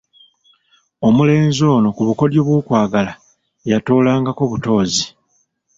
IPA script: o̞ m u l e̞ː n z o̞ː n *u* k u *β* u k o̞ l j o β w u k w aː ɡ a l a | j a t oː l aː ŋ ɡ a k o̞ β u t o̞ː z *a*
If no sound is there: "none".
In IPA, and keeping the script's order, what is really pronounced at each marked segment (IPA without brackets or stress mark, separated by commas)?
o, β, i